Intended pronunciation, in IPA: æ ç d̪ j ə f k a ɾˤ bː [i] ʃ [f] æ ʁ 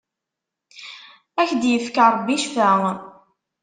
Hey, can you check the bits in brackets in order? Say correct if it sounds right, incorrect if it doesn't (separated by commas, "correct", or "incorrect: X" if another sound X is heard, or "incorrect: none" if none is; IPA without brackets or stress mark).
correct, correct